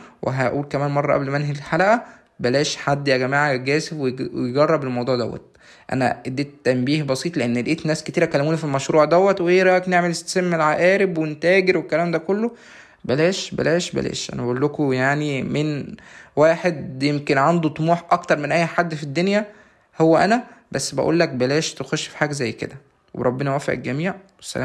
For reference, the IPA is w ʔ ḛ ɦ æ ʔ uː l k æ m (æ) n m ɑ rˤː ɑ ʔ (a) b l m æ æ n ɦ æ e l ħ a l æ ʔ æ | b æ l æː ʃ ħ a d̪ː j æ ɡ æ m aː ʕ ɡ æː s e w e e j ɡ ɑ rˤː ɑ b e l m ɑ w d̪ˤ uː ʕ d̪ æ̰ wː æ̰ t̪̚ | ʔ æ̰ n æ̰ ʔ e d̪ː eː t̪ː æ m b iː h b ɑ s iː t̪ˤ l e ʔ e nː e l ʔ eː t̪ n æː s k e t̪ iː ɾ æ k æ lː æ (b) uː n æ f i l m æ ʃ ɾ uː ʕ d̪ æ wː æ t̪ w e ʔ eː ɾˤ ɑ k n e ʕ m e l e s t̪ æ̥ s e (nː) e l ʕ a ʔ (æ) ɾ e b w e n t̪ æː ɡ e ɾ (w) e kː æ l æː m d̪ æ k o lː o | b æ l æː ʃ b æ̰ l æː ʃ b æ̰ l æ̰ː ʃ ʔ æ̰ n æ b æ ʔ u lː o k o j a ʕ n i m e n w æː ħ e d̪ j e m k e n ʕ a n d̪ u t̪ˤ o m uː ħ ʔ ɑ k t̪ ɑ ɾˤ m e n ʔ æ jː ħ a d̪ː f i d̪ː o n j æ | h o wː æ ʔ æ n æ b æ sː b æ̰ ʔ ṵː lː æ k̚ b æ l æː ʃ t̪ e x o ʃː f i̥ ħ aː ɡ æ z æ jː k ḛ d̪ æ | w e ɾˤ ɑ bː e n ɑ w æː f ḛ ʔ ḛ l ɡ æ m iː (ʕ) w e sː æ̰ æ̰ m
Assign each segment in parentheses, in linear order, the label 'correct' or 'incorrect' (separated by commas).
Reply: incorrect, incorrect, incorrect, incorrect, incorrect, correct, correct